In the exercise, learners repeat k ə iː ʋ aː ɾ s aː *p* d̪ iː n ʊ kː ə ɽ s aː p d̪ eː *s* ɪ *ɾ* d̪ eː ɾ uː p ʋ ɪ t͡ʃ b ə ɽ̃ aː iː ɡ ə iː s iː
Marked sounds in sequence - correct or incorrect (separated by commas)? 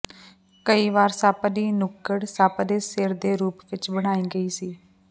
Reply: correct, correct, correct